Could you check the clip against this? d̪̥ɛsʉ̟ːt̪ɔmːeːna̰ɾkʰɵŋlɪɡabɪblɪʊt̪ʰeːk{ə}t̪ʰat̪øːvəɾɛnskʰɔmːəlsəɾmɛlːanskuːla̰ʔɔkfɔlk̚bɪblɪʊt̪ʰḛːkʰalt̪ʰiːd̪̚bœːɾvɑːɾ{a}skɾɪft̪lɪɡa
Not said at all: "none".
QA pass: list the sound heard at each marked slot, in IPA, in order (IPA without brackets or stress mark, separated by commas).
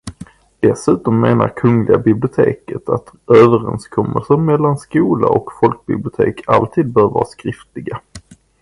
ə, a